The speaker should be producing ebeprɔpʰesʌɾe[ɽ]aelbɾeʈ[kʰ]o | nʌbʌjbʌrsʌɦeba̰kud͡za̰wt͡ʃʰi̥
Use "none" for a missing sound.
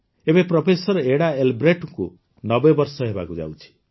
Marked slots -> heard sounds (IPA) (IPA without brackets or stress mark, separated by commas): ɽ, k